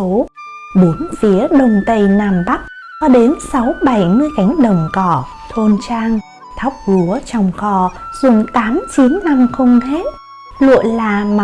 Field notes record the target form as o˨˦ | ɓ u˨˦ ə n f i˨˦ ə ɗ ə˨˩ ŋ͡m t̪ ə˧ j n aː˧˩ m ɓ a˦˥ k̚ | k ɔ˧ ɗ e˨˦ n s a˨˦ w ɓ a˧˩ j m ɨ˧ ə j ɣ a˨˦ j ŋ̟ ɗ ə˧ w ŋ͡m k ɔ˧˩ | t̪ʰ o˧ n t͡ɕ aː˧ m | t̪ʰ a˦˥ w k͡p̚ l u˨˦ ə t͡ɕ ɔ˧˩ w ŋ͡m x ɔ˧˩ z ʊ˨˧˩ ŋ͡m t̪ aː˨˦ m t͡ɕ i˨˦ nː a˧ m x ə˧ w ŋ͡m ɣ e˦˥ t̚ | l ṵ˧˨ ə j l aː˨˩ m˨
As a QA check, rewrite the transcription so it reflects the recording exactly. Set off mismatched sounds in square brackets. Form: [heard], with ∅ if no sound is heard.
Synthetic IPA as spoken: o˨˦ | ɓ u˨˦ ə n f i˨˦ ə ɗ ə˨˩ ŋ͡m t̪ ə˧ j n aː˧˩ m ɓ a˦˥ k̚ | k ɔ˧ ɗ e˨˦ n s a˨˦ w ɓ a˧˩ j m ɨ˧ ə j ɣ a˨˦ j ŋ̟ ɗ [ə˨˩] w ŋ͡m k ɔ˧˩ | t̪ʰ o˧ n t͡ɕ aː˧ [ŋ] | t̪ʰ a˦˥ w k͡p̚ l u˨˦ ə t͡ɕ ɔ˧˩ w ŋ͡m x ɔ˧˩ z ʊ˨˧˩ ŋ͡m t̪ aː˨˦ m t͡ɕ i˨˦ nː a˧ m x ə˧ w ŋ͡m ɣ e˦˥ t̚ | l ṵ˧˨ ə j l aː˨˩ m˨